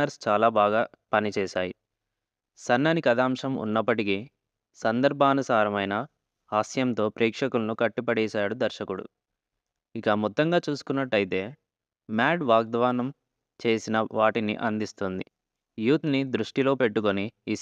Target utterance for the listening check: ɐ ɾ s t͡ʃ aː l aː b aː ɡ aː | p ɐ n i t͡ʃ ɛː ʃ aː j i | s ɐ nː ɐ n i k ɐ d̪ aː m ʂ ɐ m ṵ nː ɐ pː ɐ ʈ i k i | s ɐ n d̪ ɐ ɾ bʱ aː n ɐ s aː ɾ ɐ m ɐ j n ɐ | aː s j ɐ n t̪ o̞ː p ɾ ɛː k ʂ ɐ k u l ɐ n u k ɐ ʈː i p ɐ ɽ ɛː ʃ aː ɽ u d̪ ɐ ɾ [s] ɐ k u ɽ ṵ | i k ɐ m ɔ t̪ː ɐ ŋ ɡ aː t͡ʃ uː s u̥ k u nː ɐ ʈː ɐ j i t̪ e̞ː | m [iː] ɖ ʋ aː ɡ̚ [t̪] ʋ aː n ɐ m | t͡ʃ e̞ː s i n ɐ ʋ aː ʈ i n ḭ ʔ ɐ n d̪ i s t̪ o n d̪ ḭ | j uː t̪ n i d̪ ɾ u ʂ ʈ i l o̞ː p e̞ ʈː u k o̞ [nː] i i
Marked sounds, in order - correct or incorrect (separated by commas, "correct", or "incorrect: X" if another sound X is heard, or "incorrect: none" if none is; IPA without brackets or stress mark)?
incorrect: ʃ, incorrect: aː, incorrect: d̪, incorrect: n